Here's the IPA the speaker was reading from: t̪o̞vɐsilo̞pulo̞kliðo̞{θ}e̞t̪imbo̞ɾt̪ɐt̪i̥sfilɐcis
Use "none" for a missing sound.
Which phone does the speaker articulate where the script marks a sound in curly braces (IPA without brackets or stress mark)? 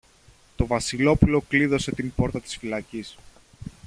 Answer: s